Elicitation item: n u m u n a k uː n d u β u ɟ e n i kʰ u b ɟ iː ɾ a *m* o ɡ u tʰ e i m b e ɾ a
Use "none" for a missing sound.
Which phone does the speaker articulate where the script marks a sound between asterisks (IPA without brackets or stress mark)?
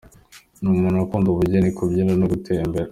n